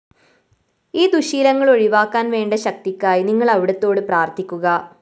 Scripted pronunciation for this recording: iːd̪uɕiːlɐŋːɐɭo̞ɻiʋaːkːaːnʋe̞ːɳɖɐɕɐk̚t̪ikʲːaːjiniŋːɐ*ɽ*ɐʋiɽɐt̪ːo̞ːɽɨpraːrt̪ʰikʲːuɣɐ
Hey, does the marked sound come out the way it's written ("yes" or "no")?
no